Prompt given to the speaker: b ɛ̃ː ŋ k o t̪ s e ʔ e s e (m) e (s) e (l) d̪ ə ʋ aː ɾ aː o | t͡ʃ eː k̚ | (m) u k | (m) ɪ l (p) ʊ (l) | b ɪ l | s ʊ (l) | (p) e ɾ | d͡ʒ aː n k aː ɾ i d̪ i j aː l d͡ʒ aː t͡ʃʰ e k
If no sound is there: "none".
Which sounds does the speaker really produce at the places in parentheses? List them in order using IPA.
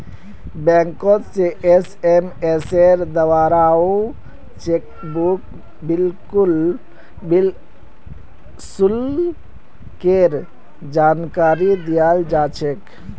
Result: m, s, ɾ, b, b, k, l, l, k

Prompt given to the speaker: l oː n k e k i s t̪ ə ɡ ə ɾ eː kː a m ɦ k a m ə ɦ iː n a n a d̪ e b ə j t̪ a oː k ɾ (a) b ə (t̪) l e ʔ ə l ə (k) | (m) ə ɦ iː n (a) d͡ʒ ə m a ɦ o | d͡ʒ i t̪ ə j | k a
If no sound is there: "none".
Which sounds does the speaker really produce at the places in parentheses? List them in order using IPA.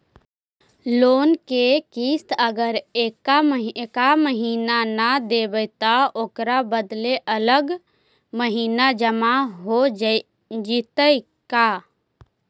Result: a, d̪, ɡ, m, a

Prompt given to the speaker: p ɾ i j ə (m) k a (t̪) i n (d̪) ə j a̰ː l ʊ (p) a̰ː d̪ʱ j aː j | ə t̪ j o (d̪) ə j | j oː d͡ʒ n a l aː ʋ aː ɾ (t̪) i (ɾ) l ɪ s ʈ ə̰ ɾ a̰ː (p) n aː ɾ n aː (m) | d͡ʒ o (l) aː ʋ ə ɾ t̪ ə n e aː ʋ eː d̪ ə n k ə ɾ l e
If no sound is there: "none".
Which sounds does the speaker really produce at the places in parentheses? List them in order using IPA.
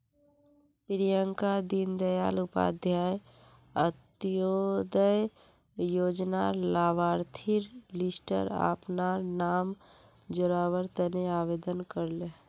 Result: ŋ, d̪, d̪, p, d̪, t̪ʰ, ɾ, p, m, ɾ

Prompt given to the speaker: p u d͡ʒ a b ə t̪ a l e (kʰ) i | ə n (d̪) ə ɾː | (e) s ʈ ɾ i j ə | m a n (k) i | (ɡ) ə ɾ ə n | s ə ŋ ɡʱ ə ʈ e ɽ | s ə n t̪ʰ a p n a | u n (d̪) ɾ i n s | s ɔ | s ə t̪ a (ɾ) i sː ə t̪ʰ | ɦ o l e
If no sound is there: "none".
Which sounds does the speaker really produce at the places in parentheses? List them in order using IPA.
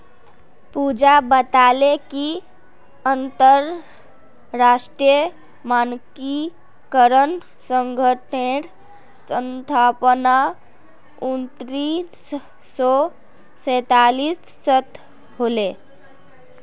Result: k, t̪, a, k, k, t̪, l

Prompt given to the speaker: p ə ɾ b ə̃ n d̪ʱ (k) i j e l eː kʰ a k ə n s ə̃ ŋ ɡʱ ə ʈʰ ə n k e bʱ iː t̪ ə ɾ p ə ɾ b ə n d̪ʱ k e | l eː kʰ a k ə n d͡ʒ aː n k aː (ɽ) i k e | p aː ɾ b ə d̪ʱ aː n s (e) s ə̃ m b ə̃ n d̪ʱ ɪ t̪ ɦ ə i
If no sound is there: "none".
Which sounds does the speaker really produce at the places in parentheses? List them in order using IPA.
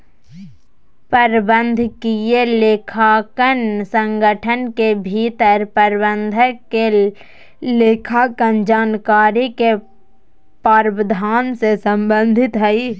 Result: k, ɾ, e

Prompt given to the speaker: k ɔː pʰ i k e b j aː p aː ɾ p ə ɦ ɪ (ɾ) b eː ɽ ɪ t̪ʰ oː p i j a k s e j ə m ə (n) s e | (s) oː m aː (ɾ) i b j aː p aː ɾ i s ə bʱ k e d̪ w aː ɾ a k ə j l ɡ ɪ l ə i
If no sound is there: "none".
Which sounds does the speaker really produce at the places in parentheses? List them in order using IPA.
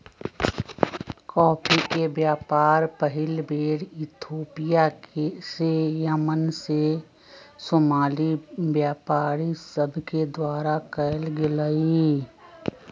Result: l, n, s, l

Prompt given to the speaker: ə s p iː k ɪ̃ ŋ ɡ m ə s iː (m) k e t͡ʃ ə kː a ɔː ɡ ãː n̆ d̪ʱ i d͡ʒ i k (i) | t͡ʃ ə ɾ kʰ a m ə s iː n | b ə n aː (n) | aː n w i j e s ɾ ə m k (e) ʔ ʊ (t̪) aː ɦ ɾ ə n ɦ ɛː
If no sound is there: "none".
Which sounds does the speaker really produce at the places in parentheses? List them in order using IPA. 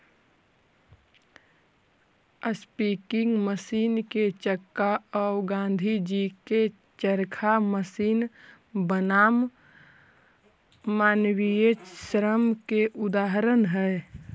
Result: n, e, m, e, d̪

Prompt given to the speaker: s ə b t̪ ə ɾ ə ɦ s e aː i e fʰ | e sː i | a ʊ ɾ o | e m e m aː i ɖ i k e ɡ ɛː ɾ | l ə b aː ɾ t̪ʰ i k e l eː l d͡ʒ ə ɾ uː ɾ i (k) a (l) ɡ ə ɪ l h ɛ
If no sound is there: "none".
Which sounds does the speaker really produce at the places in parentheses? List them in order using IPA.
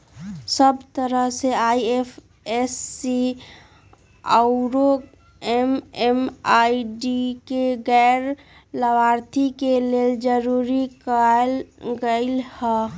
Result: k, l

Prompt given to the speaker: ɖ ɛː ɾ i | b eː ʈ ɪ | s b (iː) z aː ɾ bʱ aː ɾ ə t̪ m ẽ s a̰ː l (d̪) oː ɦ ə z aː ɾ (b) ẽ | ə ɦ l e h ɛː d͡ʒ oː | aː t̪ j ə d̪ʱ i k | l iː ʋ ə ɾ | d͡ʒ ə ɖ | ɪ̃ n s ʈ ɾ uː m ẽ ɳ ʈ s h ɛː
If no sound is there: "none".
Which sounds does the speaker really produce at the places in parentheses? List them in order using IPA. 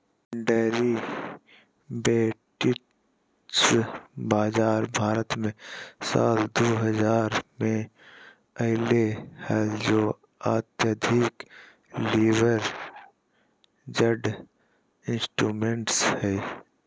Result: aː, d̪, m

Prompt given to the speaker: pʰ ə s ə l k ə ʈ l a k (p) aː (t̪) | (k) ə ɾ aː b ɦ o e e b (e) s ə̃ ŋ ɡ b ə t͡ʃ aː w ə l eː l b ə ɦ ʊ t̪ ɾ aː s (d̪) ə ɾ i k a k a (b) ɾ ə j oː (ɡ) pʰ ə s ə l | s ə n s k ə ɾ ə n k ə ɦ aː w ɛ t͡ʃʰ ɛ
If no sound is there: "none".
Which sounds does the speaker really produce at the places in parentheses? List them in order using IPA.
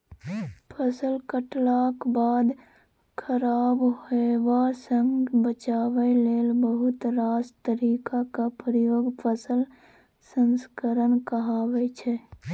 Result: b, d̪, kʰ, a, t̪, p, ɡ

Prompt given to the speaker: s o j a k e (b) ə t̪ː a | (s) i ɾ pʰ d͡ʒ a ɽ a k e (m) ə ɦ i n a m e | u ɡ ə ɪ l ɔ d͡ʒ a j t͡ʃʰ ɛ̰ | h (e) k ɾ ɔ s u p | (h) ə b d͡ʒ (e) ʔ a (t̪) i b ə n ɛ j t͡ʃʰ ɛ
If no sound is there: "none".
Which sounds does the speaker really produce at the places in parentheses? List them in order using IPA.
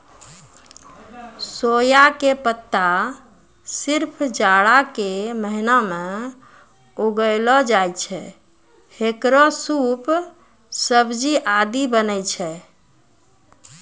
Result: p, s, m, e, s, i, d̪

